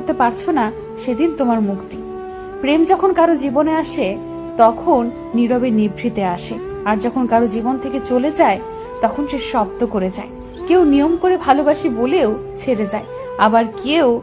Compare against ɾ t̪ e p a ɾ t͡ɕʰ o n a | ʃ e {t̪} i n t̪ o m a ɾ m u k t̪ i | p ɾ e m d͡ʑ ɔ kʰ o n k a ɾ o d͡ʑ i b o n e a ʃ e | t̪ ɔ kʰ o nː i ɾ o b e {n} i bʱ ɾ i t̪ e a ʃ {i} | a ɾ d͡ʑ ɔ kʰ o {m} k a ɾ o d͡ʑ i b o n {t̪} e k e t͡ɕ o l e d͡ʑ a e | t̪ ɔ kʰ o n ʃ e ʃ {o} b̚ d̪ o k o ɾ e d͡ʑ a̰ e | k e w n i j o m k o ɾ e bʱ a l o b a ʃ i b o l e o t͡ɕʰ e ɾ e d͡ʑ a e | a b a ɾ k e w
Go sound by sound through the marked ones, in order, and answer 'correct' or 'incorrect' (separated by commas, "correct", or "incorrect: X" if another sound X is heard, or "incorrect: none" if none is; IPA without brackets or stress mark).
incorrect: d̪, correct, incorrect: e, incorrect: n, incorrect: t̪ʰ, incorrect: ɔ